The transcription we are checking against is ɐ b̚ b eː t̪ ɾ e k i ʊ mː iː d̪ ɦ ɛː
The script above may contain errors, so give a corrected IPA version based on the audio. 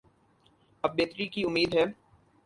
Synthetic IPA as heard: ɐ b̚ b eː t̪ ɾ i k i ʊ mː iː d̪ ɦ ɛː